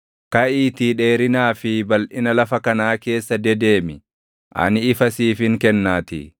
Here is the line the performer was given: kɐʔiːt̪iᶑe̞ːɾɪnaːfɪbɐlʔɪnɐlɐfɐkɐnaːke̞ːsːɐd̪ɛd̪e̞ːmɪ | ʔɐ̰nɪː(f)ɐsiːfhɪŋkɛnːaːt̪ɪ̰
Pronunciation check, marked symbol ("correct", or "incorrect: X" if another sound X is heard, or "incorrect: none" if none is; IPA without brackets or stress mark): correct